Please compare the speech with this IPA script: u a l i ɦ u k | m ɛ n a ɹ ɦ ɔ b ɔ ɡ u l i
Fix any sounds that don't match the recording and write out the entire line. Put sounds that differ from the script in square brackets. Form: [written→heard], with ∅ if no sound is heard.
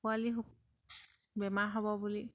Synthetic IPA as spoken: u a l i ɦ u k | [m→b] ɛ [n→m] a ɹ ɦ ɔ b ɔ [ɡ→b] u l i